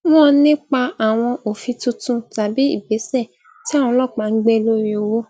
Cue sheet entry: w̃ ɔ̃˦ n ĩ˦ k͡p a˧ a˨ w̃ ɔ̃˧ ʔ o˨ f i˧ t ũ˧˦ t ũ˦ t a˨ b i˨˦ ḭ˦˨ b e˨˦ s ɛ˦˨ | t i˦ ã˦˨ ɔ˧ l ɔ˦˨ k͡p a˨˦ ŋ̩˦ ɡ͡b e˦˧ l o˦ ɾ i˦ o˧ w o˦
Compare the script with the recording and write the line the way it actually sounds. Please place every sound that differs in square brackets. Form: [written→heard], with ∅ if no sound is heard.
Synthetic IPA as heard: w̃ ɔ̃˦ n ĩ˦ k͡p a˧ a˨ w̃ ɔ̃˧ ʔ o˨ f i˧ t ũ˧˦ t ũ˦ t a˨ b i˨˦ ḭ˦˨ b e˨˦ s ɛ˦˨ | t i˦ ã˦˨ [ɔ˧→ɔ̃˧] l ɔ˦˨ k͡p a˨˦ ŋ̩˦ ɡ͡b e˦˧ l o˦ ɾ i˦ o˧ w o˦